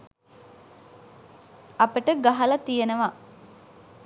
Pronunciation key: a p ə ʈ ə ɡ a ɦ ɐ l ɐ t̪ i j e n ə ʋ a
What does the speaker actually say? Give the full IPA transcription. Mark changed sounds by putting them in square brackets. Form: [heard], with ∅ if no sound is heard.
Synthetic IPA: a p ə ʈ ə ɡ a ɦ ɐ l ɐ t̪ i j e n ə ʋ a